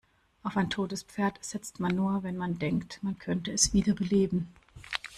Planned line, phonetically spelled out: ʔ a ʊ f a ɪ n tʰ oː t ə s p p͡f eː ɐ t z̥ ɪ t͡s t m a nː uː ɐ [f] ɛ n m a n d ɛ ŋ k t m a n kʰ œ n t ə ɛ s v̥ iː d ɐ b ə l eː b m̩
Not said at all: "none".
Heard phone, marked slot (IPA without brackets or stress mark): v